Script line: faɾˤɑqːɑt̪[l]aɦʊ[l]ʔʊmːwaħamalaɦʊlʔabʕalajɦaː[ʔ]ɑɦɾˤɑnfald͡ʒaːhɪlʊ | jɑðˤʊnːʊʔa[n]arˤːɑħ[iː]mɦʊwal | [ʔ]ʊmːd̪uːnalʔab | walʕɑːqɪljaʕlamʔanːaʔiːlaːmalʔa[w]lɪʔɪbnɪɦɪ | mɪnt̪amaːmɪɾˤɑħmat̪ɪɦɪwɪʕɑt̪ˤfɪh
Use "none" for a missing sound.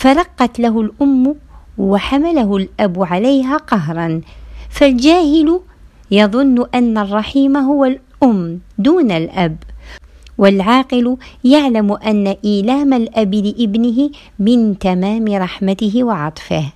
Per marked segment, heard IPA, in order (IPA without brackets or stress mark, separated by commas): l, l, q, nː, iː, ʔ, b